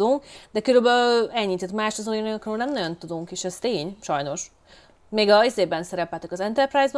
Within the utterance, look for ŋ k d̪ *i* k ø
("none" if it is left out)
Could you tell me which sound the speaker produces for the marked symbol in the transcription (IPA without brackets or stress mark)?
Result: ɛ